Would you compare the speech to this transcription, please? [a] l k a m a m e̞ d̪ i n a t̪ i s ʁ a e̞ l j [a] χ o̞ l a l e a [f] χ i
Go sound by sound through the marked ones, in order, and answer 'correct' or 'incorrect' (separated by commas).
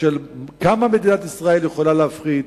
incorrect, incorrect, correct